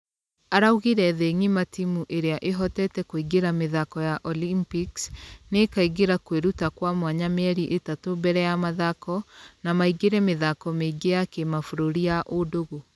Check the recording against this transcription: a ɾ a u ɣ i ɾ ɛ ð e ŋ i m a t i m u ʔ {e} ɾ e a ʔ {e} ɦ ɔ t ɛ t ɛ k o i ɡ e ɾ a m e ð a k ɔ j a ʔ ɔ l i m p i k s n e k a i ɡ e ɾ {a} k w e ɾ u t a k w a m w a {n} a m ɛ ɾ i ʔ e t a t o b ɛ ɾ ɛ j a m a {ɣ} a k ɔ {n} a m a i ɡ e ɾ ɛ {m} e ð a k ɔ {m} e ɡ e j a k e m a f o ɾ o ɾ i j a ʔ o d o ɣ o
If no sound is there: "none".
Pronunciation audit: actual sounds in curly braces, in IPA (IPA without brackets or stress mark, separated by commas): e, e, a, ɲ, ð, n, m, m